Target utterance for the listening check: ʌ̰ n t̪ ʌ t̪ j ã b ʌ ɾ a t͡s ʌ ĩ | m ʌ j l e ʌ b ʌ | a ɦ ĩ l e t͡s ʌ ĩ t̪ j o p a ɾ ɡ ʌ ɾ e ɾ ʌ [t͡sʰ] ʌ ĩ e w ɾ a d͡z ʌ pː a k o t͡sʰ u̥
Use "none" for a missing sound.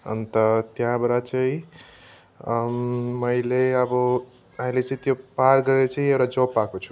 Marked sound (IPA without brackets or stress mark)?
t͡s